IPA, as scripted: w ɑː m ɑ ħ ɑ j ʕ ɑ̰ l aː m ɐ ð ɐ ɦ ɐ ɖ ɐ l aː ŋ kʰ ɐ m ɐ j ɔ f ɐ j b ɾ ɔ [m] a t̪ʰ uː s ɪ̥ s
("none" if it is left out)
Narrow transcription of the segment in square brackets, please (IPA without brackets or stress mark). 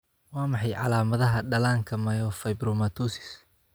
m